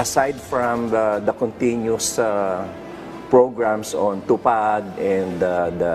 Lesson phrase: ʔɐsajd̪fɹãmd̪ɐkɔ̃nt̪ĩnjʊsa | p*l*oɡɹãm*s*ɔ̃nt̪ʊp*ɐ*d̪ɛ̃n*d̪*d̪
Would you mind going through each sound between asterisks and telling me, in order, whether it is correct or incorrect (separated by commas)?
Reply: incorrect, correct, incorrect, correct